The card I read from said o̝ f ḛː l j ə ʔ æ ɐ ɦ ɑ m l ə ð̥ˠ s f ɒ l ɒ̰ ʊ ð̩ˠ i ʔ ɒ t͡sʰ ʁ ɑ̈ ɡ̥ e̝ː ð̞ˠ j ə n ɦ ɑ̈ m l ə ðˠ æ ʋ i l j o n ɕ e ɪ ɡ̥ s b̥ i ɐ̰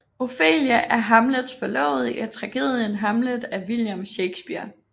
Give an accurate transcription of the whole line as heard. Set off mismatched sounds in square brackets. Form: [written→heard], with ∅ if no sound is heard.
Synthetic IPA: o̝ f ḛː l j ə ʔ æ ɐ ɦ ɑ m l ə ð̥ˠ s f ɒ l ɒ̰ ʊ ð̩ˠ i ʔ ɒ t͡sʰ ʁ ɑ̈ ɡ̥ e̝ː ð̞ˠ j ə n ɦ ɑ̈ m l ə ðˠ æ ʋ i l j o [n→m] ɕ e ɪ ɡ̥ s b̥ i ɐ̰